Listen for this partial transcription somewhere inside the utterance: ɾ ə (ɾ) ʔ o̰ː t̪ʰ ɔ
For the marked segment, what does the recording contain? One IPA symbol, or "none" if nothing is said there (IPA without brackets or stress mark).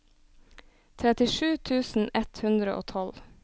none